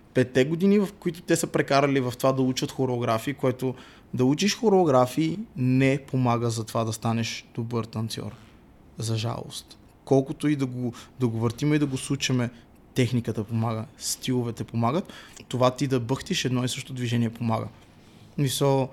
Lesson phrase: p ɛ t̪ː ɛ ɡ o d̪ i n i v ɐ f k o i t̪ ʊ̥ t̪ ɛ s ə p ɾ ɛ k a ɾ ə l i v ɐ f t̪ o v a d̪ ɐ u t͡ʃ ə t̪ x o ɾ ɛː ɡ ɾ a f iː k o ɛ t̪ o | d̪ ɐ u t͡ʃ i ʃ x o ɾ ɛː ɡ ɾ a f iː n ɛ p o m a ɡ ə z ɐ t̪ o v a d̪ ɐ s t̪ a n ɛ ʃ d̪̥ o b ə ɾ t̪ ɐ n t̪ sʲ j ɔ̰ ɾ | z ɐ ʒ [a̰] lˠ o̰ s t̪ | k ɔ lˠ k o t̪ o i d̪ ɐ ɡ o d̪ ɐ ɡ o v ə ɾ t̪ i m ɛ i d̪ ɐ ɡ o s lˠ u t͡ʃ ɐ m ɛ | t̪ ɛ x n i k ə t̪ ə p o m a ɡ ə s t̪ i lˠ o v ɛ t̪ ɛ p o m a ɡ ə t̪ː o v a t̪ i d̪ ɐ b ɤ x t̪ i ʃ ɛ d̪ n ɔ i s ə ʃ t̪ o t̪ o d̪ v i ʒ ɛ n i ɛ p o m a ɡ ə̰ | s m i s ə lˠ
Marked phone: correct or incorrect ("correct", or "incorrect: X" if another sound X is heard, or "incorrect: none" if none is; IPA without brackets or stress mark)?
correct